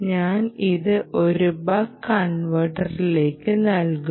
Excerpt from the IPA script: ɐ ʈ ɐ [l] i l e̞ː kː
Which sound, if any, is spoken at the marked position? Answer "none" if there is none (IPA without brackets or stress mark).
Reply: r